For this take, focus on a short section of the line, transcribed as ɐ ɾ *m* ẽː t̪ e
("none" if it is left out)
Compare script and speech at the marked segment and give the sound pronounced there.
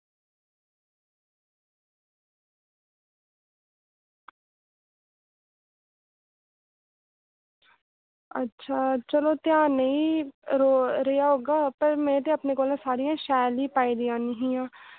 m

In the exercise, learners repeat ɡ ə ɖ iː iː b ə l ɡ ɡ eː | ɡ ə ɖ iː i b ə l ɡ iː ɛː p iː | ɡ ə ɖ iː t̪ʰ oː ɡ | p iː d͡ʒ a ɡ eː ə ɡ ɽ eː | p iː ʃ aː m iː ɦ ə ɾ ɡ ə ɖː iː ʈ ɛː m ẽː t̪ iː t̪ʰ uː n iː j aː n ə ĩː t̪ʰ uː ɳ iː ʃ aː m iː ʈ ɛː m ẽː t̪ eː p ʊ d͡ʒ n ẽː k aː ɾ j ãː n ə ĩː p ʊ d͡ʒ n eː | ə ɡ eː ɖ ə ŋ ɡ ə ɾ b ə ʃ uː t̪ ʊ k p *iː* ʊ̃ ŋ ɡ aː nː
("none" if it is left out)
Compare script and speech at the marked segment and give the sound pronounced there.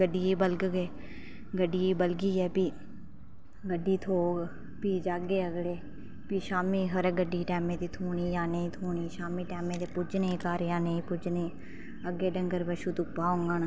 aː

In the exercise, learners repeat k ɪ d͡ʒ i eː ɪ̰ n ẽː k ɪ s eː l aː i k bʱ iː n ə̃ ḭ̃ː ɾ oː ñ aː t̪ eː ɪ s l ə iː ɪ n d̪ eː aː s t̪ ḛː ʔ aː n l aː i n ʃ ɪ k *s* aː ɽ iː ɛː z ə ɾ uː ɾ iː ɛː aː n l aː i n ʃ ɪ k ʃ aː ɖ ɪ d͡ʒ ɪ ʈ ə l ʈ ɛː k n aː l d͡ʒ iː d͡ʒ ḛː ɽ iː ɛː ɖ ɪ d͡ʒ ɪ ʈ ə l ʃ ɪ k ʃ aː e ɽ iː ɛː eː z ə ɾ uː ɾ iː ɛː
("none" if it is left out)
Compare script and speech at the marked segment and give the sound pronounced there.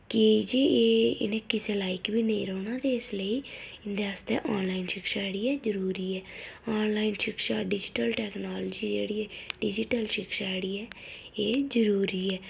ʃ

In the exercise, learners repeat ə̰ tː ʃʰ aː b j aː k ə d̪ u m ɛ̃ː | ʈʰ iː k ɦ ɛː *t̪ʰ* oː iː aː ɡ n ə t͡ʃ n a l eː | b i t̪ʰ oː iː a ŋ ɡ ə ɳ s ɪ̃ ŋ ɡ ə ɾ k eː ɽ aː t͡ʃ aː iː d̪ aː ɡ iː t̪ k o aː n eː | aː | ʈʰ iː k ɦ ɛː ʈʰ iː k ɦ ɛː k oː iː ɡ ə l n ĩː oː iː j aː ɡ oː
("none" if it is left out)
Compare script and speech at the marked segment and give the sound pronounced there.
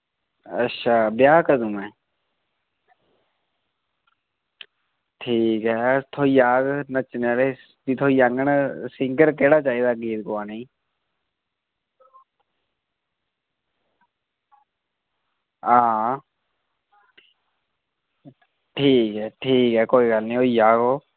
t̪ʰ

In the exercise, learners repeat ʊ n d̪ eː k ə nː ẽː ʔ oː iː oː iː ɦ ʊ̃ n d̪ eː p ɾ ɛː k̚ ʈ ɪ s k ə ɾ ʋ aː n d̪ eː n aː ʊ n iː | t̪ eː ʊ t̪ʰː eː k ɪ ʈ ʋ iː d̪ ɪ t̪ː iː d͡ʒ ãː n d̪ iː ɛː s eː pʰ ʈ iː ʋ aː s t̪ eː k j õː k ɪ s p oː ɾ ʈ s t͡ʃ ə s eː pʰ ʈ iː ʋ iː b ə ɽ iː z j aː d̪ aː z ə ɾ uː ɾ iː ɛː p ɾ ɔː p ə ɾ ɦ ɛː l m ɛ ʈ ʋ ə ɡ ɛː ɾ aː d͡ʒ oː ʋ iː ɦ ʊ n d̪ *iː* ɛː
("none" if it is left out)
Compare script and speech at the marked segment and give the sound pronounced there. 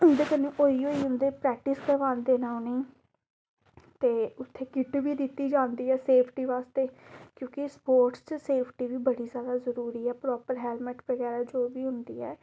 iː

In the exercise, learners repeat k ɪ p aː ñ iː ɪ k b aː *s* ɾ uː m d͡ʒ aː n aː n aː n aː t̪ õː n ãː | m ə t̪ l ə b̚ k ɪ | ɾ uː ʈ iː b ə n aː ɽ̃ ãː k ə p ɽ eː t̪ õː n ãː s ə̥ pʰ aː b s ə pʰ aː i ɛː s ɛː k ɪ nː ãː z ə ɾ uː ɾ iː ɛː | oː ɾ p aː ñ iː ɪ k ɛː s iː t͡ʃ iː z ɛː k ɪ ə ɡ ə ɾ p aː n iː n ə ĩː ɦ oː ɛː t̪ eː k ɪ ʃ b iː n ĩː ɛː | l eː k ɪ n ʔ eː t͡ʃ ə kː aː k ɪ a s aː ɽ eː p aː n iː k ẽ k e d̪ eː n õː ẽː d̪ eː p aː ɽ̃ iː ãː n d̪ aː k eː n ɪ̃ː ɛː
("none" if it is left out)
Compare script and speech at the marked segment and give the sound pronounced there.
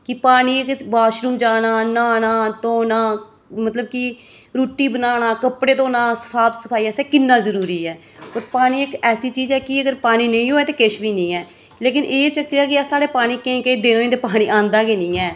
ʃ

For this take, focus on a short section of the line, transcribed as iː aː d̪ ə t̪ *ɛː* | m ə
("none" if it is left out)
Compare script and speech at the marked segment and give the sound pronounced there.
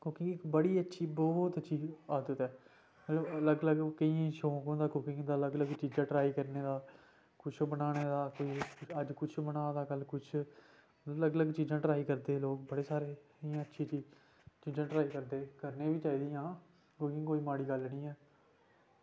ɛː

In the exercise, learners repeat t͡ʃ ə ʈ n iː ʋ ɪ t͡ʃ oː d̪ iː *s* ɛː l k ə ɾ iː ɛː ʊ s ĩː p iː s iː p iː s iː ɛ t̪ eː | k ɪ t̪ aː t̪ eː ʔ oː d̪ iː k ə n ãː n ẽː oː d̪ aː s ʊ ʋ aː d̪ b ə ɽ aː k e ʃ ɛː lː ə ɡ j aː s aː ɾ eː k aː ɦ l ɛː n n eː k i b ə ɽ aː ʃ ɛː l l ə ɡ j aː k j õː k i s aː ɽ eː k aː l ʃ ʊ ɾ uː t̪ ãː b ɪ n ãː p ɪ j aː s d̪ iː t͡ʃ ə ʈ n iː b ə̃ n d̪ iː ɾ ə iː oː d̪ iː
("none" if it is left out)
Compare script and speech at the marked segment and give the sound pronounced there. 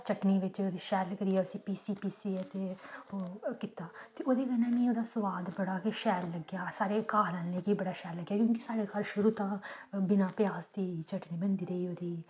ʃ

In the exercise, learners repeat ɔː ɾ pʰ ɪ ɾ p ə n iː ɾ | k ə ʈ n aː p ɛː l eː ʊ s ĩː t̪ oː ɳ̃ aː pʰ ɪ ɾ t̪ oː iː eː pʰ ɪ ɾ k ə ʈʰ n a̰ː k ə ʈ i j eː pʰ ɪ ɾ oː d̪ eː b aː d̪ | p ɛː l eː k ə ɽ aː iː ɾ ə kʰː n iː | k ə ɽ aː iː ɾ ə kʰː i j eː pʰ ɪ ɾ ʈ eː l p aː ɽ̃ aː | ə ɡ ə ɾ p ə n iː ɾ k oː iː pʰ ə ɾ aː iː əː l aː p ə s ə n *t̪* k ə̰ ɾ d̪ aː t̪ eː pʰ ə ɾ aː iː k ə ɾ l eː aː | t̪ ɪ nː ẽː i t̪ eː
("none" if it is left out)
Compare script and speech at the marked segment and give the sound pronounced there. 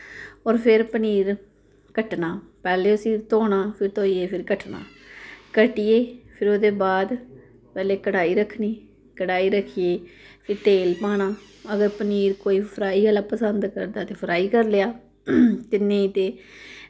d̪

